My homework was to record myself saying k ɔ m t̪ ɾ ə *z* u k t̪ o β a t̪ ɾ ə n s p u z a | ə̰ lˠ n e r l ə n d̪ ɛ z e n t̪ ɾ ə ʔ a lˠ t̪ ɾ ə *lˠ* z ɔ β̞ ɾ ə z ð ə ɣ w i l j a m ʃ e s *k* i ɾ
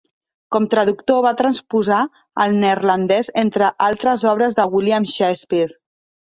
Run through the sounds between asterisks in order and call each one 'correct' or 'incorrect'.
incorrect, incorrect, incorrect

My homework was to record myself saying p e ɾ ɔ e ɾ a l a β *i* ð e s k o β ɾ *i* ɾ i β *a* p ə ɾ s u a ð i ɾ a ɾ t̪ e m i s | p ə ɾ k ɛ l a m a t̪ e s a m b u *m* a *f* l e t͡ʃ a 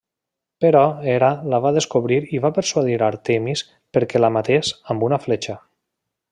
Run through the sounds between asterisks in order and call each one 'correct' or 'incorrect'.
incorrect, correct, correct, incorrect, correct

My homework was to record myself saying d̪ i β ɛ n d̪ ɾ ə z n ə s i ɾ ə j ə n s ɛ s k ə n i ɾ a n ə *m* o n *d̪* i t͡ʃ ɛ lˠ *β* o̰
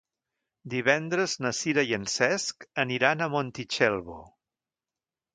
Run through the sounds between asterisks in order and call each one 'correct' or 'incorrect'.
correct, incorrect, correct

